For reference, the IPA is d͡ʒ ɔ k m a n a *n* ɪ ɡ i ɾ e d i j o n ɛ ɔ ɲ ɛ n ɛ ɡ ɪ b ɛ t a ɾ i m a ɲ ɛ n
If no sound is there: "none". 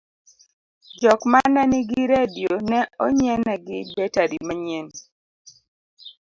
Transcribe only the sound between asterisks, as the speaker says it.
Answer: n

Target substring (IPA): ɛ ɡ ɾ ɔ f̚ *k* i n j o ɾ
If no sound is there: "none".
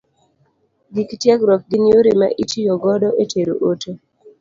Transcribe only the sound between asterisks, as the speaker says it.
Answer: ɡ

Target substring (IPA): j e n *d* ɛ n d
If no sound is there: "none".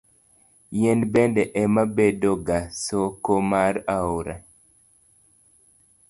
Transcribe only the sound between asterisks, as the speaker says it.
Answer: b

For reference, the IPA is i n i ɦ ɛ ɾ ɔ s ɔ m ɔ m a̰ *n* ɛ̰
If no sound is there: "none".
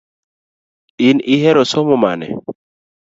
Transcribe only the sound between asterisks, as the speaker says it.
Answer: n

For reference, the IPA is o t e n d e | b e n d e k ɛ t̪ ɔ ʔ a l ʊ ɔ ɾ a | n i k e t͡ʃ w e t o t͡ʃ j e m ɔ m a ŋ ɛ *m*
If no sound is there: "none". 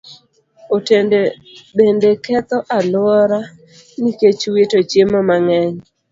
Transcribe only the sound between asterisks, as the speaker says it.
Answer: ɲ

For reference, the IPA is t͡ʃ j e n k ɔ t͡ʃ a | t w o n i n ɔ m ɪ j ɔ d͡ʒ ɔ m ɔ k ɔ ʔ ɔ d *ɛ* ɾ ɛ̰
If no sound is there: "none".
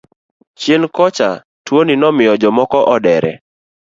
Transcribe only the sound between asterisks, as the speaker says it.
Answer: ɛ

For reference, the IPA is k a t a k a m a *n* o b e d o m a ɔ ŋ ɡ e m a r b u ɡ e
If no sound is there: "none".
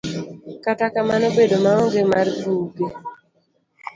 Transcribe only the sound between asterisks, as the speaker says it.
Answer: n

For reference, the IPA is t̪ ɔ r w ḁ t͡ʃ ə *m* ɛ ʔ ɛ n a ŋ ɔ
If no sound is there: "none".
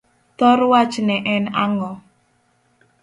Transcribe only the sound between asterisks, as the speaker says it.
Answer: n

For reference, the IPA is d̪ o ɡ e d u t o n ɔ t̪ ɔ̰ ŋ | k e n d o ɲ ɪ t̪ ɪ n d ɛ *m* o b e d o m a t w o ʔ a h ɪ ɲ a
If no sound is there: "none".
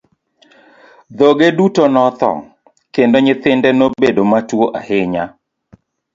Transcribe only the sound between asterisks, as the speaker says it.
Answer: n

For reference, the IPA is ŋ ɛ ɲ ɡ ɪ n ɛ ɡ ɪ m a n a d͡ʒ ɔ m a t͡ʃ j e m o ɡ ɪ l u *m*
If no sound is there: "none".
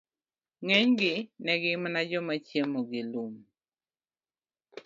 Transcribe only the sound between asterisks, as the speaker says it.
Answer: m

